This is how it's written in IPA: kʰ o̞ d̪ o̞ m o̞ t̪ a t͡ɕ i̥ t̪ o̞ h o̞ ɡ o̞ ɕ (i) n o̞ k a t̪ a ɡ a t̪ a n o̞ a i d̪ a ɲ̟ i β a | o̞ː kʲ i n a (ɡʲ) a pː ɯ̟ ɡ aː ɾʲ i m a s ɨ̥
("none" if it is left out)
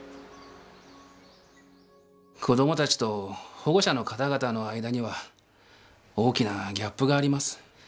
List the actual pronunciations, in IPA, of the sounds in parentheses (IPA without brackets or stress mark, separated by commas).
a, ɡʲ